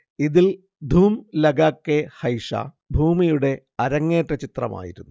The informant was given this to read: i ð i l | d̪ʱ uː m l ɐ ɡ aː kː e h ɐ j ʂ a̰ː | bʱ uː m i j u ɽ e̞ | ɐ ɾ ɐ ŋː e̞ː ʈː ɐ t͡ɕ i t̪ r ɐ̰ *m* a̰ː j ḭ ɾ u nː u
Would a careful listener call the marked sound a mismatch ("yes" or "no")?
no